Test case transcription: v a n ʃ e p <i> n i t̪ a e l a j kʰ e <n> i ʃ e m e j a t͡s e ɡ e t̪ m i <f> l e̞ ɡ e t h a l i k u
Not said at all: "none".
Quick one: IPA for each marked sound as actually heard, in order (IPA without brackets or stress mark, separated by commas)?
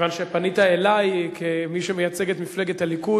a, m, f